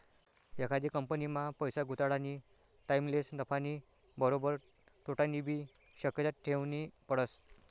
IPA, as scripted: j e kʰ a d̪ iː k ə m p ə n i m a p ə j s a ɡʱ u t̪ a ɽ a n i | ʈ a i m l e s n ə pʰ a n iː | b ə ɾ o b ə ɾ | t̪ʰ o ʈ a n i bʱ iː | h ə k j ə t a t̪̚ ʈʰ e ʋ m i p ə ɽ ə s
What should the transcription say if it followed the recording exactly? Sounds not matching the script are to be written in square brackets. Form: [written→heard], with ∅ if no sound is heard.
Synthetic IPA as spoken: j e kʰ a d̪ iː k ə m p ə n i m a p ə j s a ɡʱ u t̪ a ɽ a n i | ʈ a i m l e s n ə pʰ a n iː | b ə ɾ o b ə ɾ | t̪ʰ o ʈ a n i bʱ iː | [h→ɕ] ə k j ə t a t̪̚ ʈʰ e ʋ [m→n] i p ə ɽ ə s